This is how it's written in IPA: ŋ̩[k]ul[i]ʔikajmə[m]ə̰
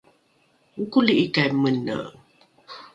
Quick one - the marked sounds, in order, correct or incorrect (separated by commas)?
correct, correct, incorrect